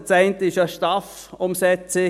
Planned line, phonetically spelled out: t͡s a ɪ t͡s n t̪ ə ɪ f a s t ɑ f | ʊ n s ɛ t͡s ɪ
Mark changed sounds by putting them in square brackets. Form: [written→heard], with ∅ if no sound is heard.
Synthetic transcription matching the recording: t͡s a ɪ [t͡s→∅] n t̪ ə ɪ [f→ʃ] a [s→ʃ] t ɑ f | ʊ [n→m] s ɛ t͡s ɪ